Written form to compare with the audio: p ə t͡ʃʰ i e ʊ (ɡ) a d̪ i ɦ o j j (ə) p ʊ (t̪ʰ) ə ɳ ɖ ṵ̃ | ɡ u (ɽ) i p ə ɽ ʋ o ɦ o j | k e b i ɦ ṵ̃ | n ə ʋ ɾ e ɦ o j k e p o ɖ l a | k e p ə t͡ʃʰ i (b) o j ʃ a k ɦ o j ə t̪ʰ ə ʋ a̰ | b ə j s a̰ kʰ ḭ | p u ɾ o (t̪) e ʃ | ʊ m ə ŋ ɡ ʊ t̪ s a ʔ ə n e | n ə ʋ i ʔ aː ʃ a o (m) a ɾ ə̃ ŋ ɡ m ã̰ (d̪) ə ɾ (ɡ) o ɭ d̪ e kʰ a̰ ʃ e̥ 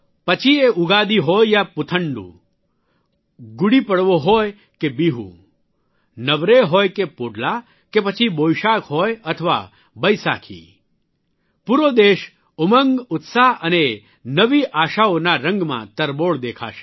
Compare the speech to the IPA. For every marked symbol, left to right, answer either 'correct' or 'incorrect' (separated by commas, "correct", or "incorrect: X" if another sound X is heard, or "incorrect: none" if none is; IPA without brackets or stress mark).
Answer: correct, incorrect: a, correct, correct, correct, incorrect: d̪, incorrect: n, incorrect: t̪, incorrect: b